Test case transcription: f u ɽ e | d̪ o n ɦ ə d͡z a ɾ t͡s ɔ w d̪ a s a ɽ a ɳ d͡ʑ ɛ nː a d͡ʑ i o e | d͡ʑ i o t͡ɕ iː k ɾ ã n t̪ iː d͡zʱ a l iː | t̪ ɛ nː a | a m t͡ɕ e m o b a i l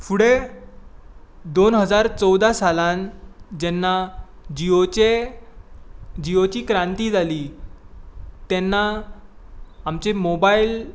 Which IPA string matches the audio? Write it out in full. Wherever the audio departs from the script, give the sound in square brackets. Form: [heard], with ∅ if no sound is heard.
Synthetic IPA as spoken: f u ɽ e | d̪ o n ɦ ə d͡z a ɾ t͡s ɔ w d̪ a s a [l] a [n] d͡ʑ ɛ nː a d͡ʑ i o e | d͡ʑ i o t͡ɕ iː k ɾ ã n t̪ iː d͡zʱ a l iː | t̪ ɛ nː a | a m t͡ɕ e m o b a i l